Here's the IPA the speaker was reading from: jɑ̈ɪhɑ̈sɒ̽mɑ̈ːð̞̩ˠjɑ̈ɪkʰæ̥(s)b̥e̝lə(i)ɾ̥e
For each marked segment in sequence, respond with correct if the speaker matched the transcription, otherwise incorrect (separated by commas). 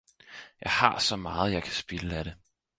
correct, incorrect